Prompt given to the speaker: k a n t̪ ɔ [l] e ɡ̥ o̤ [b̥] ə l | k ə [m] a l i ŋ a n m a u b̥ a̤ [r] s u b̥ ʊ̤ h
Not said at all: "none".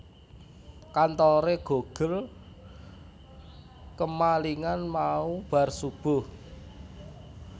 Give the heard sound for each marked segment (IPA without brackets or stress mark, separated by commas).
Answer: ɾ, ɡ̥, m, r